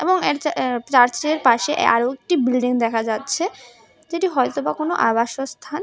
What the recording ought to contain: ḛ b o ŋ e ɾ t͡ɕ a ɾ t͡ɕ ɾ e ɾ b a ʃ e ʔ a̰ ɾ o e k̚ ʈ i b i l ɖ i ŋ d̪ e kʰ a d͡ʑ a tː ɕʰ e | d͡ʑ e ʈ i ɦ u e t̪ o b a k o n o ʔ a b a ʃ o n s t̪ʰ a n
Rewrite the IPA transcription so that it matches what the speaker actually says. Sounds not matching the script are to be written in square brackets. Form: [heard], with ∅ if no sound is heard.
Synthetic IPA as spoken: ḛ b o ŋ e ɾ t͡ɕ a ɾ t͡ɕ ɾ e ɾ [p] a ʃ e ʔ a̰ ɾ o e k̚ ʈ i b i l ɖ i ŋ d̪ [ɛ] kʰ a d͡ʑ a tː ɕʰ e | d͡ʑ e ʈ i ɦ [ɔ] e t̪ o b a k o n o ʔ a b a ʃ o [∅] s t̪ʰ a n